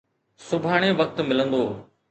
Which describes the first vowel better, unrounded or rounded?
rounded